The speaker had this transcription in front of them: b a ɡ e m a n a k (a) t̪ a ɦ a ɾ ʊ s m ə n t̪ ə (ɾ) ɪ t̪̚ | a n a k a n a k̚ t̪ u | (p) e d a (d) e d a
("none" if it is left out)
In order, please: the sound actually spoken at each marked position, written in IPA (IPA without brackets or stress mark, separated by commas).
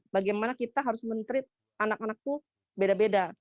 i, ɾ, b, b